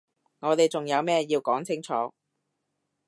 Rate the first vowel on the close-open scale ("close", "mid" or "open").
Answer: mid